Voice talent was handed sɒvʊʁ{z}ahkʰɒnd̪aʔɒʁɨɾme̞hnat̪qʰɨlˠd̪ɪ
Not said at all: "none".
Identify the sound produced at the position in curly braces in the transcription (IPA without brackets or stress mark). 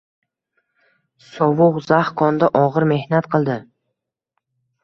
z